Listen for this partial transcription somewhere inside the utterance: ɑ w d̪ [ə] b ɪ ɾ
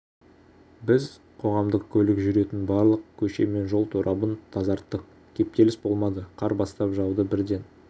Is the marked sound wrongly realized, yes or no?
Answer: no